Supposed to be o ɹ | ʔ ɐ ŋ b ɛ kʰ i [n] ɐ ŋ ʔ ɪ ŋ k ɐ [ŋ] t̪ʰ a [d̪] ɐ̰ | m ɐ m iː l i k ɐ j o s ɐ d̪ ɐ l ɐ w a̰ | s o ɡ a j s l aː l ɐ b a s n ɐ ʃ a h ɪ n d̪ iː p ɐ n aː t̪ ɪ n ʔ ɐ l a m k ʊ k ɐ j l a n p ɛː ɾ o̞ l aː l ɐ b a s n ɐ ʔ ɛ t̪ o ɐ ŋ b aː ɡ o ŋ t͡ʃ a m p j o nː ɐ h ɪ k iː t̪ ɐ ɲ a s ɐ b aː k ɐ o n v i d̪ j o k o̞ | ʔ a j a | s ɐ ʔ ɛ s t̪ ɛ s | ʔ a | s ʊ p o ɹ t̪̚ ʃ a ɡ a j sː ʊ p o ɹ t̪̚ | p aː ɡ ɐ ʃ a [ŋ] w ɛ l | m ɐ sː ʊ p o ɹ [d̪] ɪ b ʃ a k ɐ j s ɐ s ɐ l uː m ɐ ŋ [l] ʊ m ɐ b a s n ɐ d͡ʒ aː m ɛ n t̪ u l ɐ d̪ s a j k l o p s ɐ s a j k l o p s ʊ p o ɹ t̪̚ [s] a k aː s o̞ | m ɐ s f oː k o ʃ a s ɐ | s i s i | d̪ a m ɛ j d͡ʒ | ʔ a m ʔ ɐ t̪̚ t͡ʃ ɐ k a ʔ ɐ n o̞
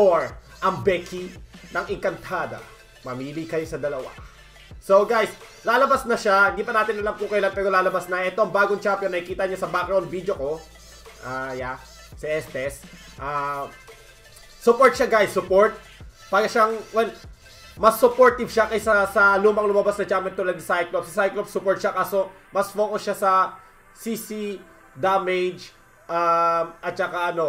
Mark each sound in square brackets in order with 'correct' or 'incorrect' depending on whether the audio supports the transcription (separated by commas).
correct, incorrect, correct, correct, incorrect, correct, incorrect